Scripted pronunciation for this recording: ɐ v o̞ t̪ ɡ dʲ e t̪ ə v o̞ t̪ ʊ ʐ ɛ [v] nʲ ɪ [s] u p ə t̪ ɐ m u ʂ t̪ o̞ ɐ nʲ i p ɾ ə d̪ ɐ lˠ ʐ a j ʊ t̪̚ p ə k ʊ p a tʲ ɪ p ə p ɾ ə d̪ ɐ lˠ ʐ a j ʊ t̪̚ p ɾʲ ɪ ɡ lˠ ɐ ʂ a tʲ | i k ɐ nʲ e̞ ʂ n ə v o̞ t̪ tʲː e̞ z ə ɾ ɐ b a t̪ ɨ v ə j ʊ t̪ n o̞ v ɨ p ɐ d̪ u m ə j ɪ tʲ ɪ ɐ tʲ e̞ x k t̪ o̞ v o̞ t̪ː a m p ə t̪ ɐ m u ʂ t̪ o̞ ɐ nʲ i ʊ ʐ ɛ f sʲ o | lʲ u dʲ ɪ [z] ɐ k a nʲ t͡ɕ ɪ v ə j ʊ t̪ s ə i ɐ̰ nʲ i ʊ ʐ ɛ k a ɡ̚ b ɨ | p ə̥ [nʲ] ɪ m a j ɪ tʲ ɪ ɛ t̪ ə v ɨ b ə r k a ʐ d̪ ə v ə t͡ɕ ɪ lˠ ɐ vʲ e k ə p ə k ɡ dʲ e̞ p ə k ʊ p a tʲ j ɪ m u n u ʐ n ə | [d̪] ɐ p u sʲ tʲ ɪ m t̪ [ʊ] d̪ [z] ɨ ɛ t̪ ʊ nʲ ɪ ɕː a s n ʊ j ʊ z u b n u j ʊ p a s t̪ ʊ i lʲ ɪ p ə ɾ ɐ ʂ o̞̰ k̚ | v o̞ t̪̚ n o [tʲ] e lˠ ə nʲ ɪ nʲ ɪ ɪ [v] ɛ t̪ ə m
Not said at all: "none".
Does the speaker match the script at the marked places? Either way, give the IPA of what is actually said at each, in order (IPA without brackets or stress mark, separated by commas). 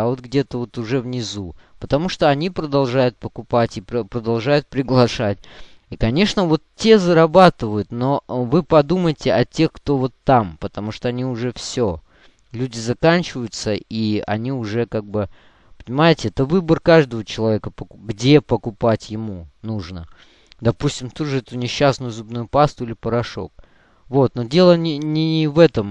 v, z, z, nʲ, d̪, u, ʐ, dʲ, v